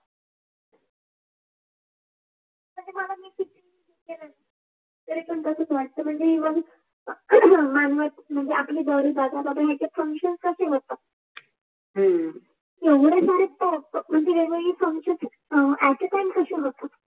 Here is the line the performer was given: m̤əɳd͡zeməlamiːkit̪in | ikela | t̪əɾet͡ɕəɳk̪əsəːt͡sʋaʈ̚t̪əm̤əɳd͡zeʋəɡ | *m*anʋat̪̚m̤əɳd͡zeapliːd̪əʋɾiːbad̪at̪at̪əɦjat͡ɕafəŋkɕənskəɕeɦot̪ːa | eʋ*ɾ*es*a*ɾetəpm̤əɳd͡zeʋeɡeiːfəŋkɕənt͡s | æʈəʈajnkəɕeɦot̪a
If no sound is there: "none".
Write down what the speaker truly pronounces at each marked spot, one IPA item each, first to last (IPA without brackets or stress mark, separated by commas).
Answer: m, ɽ, a